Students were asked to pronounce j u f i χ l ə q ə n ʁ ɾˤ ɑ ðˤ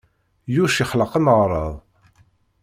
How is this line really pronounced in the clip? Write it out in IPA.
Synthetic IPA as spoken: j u ʃ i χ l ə q ə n ʁ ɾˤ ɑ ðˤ